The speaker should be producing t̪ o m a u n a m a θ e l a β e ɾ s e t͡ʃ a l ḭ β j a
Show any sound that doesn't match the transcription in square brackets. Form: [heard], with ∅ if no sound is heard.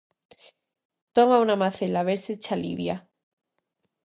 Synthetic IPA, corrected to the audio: t̪ o m a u n a m a θ e l a β e ɾ s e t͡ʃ a l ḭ β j a